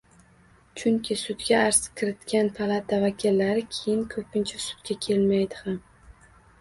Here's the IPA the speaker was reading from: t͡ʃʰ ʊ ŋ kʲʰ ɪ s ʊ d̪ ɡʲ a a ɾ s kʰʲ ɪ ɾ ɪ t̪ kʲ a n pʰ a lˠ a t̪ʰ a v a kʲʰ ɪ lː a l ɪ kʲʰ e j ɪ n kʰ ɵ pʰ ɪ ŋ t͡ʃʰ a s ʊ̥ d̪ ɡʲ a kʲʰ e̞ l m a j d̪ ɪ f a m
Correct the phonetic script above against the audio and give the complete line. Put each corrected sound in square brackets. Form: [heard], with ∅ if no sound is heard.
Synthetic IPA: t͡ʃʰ ʊ ŋ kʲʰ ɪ s ʊ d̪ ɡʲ a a ɾ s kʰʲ ɪ ɾ ɪ t̪ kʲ a n pʰ a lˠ a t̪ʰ a v a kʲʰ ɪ lː a [ɾ] ɪ kʲʰ e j ɪ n kʰ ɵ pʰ ɪ [n] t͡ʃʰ a s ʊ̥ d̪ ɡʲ a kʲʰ e̞ l m a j d̪ ɪ [h] a m